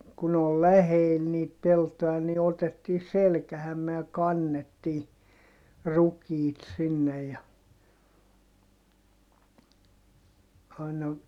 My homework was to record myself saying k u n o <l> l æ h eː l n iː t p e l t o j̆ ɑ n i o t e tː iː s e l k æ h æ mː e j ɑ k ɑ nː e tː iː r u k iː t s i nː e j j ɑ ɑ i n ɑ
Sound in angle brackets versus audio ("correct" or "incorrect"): correct